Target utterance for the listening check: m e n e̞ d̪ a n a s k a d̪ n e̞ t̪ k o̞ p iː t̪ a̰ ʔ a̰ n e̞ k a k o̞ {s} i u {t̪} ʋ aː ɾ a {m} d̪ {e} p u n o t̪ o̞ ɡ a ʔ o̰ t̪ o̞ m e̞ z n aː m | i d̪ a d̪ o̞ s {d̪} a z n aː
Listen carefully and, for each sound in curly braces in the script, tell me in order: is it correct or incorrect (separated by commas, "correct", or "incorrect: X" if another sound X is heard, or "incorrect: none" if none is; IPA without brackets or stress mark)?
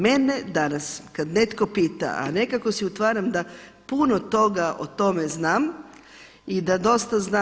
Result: correct, correct, correct, incorrect: a, incorrect: t̪